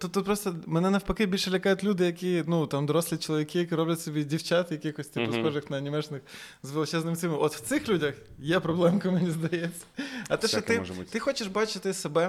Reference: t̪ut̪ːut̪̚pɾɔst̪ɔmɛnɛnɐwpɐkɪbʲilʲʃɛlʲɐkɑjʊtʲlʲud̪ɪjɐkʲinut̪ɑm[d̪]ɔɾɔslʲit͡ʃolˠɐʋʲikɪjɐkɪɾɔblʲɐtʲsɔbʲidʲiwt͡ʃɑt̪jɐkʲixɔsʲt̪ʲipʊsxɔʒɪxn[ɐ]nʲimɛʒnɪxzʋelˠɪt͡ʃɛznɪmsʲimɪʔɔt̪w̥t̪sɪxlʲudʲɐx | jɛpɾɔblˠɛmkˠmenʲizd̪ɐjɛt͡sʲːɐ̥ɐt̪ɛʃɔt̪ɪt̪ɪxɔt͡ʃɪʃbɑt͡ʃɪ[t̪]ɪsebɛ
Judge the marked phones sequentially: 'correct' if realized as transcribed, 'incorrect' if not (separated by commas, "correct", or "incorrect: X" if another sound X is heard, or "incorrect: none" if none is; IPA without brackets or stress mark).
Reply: correct, correct, correct